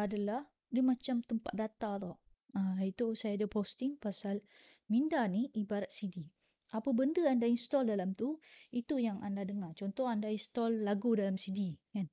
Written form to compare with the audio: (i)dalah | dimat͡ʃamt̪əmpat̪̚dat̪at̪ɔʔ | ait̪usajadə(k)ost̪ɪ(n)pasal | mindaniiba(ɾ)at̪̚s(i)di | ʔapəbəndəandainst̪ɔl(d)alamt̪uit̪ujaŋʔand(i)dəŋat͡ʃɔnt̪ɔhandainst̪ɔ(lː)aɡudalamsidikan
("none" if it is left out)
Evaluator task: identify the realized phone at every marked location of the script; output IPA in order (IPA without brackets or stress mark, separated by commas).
a, p, ŋ, ɾ, i, d, a, lː